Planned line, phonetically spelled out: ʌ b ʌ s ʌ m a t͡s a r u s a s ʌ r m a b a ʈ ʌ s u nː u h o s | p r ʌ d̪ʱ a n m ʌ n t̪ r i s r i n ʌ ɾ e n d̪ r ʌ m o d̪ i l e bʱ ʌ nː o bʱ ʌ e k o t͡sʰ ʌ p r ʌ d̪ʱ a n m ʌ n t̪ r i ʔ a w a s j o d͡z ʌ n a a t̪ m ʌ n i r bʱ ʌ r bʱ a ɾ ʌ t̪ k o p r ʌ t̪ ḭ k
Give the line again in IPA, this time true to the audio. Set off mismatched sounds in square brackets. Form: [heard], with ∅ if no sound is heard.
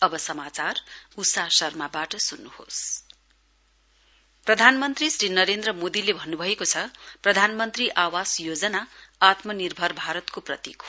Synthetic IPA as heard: ʌ b ʌ s ʌ m a t͡s a r u s a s ʌ r m a b a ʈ ʌ s u nː u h o s | p r ʌ d̪ʱ a n m ʌ n t̪ r i s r i n ʌ ɾ e n d̪ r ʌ m o d̪ i l e bʱ ʌ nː [u] bʱ ʌ e k o t͡sʰ ʌ p r ʌ d̪ʱ a n m ʌ n t̪ r i ʔ a w a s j o d͡z ʌ n a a t̪ m ʌ n i r bʱ ʌ r bʱ a ɾ ʌ t̪ k o p r ʌ t̪ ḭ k

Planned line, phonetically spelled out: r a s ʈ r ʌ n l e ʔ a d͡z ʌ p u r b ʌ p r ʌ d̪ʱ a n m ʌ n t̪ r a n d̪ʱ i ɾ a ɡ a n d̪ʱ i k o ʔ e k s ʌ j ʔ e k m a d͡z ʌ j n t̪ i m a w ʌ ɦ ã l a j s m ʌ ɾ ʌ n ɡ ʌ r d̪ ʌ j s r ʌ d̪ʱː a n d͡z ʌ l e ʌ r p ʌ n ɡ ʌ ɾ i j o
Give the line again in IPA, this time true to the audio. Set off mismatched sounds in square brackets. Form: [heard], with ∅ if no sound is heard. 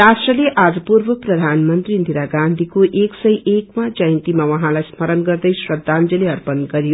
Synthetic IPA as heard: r a s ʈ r ʌ [∅] l e ʔ a d͡z ʌ p u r b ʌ p r ʌ d̪ʱ a n m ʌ n t̪ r [i] n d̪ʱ i ɾ a ɡ a n d̪ʱ i k o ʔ e k s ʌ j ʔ e k m a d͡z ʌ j n t̪ i m a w ʌ ɦ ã l a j s m ʌ ɾ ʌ n ɡ ʌ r d̪ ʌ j s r ʌ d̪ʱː a n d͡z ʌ l e ʌ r p ʌ n ɡ ʌ ɾ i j o

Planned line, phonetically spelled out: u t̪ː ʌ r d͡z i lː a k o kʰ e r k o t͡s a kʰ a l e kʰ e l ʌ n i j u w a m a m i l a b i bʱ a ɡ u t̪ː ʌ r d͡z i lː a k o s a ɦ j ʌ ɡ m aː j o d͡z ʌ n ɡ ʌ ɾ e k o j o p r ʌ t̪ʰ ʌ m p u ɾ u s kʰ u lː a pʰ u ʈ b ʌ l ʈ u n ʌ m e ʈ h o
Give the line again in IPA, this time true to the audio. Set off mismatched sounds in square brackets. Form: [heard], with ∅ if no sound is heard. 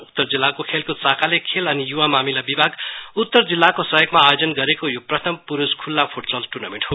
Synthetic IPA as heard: u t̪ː ʌ r d͡z i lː a k o kʰ e [l] k o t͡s a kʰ a l e kʰ e l ʌ n i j u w a m a m i l a b i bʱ a ɡ u t̪ː ʌ r d͡z i lː a k o s [ʌ] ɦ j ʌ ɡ m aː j o d͡z ʌ n ɡ ʌ ɾ e k o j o p r ʌ t̪ʰ ʌ m p u ɾ u s kʰ u lː a pʰ u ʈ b ʌ l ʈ u n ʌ m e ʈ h o

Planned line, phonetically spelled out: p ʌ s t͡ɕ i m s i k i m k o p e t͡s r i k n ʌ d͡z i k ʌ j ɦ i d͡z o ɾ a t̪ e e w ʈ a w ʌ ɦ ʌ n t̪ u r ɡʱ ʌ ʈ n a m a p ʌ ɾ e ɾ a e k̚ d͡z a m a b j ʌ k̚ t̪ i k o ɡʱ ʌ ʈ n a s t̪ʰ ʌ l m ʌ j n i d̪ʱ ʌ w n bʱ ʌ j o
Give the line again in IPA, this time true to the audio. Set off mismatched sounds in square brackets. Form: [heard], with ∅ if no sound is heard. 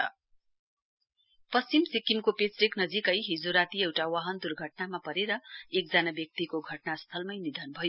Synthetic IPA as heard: p ʌ s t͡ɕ i m s i k i m k o p e t͡s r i k n ʌ d͡z i k ʌ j ɦ i d͡z o ɾ a t̪ [i] e w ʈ a w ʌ ɦ ʌ n [d̪] u r ɡʱ ʌ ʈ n a m a p ʌ ɾ e ɾ [ʌ] e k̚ d͡z a [n] a b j ʌ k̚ t̪ i k o ɡʱ ʌ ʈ n a s t̪ʰ ʌ l m ʌ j n i d̪ʱ ʌ [∅] n bʱ ʌ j o

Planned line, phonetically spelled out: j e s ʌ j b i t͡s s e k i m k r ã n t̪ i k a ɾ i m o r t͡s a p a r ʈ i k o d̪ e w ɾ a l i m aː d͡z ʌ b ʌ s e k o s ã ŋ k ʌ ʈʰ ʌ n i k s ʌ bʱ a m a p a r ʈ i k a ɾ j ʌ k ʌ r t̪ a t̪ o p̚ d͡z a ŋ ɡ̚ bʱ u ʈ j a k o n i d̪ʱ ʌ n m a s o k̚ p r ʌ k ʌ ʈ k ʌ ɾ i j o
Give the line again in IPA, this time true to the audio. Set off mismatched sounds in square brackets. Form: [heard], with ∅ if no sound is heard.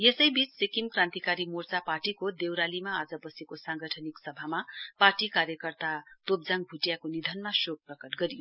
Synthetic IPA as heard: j e s ʌ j b i t͡s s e k i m k r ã n t̪ i k a ɾ i m o r t͡s a p a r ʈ i k o d̪ e w ɾ a l i m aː d͡z ʌ b ʌ s e k o s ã ŋ [ɡ] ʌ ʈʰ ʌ n i k s ʌ bʱ a m a p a r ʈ i k a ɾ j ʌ k ʌ r t̪ a t̪ o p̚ d͡z a ŋ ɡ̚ bʱ u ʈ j a k o n i d̪ʱ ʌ n m a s o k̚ p r ʌ k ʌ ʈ [ɡ] ʌ ɾ i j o

